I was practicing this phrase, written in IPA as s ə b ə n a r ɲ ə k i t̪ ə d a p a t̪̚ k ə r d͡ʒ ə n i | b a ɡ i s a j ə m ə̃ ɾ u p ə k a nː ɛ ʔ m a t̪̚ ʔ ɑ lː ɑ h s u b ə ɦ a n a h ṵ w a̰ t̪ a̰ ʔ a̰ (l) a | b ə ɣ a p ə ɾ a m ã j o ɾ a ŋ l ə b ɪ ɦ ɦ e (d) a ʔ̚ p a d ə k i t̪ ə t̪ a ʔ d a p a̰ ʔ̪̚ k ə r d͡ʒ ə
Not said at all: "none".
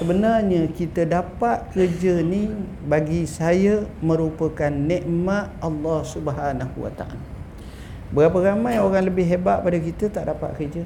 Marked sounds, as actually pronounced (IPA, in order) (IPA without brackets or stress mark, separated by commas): l, b